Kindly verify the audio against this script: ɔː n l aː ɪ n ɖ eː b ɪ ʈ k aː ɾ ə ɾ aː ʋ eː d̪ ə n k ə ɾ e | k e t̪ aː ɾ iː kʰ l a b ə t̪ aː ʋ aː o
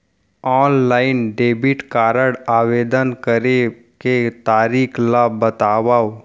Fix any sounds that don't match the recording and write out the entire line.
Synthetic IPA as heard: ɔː n l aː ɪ n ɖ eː b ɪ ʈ k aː ɾ ə ɽ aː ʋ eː d̪ ə n k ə ɾ e | k e t̪ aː ɾ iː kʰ l a b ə t̪ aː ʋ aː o